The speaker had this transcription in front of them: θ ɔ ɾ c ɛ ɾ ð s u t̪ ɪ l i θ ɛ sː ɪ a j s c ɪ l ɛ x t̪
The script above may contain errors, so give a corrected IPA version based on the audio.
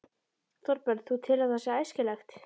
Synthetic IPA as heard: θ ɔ ɾ p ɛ ɾ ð θ u t̪ʰ ɪ l a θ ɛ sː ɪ a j s c ɪ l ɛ x t̪